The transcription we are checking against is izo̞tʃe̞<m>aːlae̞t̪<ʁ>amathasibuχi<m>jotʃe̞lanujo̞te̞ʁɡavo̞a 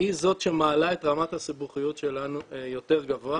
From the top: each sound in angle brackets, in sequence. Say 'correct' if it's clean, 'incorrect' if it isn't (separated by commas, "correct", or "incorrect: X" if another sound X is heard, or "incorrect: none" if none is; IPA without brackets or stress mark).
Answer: correct, correct, incorrect: none